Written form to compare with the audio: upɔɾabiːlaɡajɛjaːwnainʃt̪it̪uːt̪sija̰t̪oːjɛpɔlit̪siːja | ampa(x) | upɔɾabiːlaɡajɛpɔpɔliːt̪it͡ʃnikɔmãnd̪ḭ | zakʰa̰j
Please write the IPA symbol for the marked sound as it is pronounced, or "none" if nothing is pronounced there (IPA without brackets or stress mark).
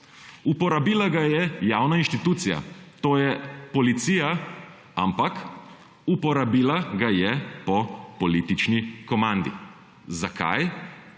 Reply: k